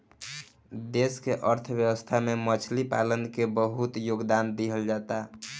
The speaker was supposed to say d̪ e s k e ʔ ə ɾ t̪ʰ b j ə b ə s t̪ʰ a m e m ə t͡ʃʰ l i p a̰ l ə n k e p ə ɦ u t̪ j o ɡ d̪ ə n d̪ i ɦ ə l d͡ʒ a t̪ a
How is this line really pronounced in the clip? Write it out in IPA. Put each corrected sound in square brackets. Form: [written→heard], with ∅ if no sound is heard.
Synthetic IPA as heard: d̪ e s k e ʔ ə ɾ t̪ʰ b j ə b ə s t̪ʰ a m e m ə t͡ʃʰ l i p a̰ l ə n k e [p→b] ə ɦ u t̪ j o ɡ d̪ [ə→a] n d̪ i ɦ ə l d͡ʒ a t̪ a